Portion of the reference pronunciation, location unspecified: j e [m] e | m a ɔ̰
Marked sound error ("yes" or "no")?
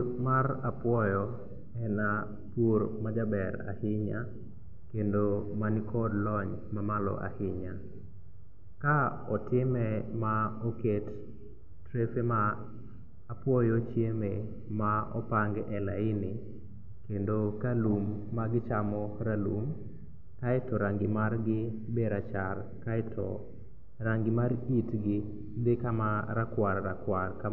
no